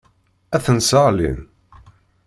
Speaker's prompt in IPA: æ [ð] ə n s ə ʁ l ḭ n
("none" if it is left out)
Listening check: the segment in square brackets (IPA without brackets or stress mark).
θ